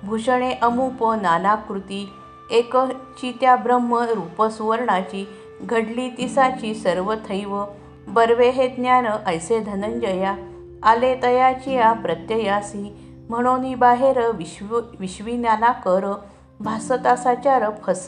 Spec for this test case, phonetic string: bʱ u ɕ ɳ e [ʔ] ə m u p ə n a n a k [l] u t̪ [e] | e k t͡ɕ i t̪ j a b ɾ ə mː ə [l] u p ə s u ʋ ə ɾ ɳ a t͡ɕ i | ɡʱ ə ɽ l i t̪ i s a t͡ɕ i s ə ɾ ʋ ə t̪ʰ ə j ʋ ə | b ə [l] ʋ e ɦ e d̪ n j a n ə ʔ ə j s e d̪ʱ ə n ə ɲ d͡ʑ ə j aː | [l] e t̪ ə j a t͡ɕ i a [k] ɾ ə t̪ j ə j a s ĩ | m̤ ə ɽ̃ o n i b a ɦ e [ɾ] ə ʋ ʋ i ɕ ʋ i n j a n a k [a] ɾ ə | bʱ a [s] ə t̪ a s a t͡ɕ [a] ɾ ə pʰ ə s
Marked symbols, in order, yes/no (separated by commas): yes, no, no, no, no, yes, no, yes, no, yes, yes